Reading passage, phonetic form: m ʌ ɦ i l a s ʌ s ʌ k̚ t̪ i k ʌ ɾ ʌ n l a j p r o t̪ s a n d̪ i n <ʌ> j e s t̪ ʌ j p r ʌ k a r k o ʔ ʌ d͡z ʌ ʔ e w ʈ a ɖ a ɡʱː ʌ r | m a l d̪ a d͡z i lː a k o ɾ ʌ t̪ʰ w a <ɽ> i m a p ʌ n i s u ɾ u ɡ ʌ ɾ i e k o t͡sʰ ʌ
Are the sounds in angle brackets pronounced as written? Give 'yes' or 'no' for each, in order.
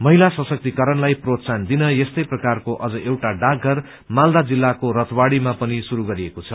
yes, yes

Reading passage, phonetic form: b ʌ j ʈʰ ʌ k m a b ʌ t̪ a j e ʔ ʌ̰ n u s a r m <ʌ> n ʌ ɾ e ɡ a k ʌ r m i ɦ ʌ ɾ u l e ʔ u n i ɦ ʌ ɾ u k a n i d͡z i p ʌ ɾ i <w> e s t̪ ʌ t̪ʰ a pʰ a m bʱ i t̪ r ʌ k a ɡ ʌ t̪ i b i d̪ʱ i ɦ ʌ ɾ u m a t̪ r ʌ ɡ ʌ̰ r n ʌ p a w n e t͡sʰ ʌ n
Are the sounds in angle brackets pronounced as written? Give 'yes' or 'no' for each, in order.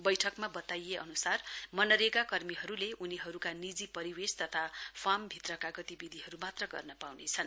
yes, yes

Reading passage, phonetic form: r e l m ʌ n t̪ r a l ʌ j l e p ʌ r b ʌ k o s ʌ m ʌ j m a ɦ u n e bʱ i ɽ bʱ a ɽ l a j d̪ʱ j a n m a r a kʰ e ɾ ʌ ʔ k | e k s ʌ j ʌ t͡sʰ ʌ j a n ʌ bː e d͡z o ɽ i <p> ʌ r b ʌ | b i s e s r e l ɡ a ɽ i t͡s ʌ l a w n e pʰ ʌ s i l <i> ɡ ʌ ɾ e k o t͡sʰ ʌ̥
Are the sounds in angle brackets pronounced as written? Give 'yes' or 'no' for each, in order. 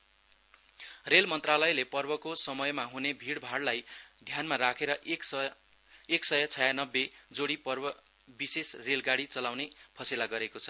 yes, no

